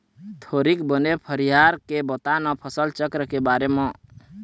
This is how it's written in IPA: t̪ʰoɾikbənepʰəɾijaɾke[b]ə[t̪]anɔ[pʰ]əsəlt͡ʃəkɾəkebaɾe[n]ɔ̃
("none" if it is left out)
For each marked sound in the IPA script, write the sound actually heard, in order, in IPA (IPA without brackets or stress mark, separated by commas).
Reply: b, t̪, pʰ, m